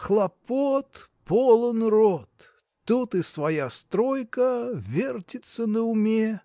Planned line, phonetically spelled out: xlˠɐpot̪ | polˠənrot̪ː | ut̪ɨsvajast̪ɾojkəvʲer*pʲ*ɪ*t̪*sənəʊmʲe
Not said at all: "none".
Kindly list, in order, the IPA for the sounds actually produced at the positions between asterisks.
tʲ, t̪

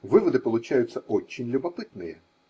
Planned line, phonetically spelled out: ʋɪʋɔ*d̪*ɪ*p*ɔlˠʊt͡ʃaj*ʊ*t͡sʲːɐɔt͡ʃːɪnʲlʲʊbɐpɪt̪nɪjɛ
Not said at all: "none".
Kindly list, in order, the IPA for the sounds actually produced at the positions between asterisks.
d̪, p, ʊ

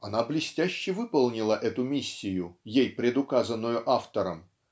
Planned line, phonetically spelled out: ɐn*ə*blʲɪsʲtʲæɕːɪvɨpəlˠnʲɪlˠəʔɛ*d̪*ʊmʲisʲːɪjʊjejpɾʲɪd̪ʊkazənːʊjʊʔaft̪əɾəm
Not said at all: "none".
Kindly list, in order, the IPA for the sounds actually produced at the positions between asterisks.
a, t̪

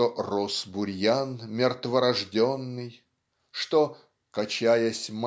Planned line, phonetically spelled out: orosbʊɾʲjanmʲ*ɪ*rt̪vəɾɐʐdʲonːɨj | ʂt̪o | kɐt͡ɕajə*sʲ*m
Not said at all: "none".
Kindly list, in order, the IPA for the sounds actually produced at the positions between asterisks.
ɪ, sʲ

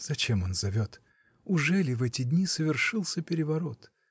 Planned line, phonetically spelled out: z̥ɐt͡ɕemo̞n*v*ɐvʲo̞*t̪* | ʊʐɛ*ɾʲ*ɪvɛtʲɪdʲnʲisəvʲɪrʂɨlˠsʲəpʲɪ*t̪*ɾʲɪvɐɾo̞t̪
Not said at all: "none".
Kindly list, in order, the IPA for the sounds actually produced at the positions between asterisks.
z, t̪, lʲ, none

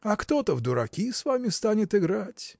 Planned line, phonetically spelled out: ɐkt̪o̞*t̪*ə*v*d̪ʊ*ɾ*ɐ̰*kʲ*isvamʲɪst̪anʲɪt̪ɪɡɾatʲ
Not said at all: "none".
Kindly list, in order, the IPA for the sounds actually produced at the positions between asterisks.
t̪, v, ɾ, kʲ

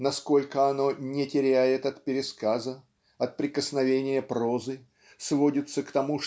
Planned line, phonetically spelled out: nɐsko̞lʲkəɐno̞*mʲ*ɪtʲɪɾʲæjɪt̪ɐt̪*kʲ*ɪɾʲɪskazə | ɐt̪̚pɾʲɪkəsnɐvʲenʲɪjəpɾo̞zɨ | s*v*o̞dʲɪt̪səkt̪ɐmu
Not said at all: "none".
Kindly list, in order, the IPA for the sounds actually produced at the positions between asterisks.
nʲ, pʲ, v

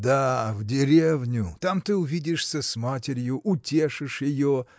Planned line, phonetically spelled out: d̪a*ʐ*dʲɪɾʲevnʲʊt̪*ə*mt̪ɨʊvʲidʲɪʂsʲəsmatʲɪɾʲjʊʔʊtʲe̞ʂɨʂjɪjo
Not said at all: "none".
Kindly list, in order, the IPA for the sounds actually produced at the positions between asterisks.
v, a

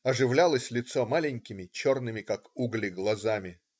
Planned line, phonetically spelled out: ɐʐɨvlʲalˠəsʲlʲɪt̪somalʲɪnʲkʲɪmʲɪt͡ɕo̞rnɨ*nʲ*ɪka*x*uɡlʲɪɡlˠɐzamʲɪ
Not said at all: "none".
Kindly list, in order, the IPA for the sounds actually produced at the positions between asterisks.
mʲ, k

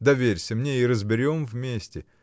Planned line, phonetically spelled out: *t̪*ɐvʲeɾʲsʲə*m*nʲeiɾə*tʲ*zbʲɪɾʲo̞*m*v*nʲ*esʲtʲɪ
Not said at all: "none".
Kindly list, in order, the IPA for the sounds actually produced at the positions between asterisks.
d̪, m, none, m, mʲ

